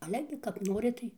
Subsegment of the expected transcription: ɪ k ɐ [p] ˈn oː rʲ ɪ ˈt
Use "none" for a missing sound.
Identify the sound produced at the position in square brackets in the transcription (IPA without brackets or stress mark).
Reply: p